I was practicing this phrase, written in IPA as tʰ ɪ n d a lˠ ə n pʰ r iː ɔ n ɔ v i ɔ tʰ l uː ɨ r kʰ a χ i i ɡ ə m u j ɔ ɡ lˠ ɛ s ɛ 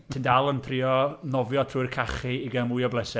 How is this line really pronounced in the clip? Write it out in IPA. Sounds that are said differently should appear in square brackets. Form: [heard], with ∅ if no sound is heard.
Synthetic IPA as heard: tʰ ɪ n d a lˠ ə n pʰ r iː ɔ n ɔ v [j] ɔ tʰ [r] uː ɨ r kʰ a χ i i ɡ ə m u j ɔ [b] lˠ ɛ s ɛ